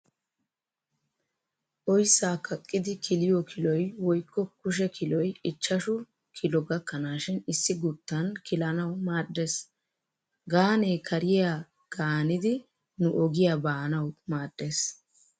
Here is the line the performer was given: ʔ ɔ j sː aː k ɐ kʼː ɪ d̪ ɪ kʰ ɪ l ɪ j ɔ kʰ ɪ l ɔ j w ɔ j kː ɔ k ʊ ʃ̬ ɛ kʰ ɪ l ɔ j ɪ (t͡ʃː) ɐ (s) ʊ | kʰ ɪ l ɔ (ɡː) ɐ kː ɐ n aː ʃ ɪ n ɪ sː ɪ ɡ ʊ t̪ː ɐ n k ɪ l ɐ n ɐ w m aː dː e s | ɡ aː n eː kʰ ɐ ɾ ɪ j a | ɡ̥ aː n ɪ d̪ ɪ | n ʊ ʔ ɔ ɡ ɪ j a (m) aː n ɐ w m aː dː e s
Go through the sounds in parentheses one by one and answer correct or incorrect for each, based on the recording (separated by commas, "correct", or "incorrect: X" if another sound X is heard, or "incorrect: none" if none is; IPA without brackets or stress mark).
correct, incorrect: ʃ, incorrect: ɡ, incorrect: b